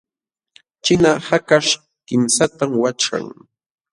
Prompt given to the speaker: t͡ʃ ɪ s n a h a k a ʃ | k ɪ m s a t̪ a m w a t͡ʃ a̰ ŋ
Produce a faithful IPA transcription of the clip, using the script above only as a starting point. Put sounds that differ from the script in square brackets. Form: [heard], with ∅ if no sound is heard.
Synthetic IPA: t͡ʃ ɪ [∅] n a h a k a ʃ | k ɪ m s a t̪ a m w a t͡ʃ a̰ ŋ